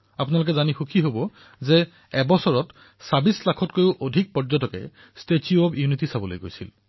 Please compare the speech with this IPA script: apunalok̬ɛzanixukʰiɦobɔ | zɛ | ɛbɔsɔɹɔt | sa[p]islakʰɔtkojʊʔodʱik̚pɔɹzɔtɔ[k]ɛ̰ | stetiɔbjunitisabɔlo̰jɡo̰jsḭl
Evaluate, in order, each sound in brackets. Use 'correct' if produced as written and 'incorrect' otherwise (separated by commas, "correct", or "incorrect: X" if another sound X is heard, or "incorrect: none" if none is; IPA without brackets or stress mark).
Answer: incorrect: b, correct